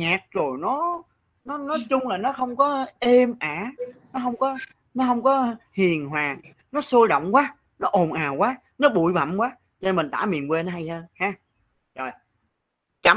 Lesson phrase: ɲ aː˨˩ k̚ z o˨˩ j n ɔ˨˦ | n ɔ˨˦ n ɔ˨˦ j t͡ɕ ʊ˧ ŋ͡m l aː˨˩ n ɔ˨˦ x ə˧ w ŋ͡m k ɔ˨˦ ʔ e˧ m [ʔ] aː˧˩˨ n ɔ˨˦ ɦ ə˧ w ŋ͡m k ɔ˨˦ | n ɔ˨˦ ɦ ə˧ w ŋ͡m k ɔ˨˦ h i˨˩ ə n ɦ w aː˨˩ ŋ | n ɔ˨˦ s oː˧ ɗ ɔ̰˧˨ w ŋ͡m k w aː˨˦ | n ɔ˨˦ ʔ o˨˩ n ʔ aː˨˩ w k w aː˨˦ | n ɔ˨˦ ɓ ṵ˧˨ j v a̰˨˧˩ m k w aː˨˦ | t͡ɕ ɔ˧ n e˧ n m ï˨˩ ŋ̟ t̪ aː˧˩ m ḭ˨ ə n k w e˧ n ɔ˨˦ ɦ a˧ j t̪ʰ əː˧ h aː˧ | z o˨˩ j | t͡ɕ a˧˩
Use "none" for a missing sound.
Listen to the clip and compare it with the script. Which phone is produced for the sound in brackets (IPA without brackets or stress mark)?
ʔ